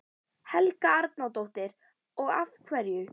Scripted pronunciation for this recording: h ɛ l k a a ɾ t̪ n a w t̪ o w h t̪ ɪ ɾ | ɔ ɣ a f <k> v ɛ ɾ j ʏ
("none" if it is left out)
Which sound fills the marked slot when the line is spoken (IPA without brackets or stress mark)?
kʰ